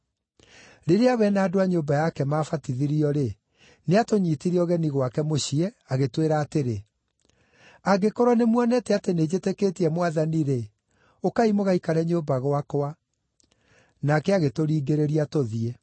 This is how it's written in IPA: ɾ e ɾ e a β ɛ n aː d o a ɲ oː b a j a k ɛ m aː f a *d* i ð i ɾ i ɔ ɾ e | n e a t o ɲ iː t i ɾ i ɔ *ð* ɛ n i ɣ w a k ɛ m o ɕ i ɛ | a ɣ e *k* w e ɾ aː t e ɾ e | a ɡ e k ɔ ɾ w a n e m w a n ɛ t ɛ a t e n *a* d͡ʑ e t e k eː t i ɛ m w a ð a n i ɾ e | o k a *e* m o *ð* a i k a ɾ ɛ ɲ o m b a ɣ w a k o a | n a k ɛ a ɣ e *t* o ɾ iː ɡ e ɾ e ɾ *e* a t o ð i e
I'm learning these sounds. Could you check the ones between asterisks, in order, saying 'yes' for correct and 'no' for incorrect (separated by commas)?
no, no, no, no, no, no, yes, no